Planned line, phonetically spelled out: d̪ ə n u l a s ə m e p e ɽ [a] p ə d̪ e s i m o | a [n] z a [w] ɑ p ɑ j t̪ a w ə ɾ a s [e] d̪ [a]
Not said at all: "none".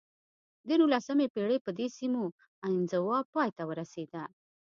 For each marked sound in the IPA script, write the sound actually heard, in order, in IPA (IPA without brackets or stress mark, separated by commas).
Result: e, n, w, e, a